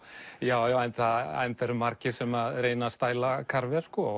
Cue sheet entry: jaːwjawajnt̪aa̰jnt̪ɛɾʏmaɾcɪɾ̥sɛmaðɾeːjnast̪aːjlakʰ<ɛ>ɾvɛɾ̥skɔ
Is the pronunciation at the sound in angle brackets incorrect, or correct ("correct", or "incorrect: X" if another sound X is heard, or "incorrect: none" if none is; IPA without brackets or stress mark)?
incorrect: a